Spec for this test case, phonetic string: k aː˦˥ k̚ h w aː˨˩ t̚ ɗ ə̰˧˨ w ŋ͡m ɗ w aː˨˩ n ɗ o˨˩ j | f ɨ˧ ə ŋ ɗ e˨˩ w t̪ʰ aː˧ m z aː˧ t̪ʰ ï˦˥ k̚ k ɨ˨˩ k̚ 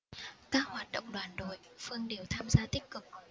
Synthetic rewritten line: k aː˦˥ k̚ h w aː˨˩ t̚ ɗ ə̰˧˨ w ŋ͡m ɗ w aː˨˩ n ɗ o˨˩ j | f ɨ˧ ə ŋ ɗ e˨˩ w t̪ʰ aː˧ m z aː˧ t̪ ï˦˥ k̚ k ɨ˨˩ k̚